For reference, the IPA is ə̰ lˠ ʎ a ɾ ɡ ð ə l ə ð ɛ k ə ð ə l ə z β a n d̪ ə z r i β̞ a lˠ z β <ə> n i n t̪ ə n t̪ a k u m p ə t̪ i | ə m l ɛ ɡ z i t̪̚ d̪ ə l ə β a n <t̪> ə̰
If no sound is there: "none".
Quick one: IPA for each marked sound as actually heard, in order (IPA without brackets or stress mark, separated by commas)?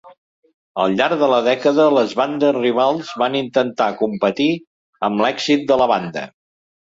a, d̪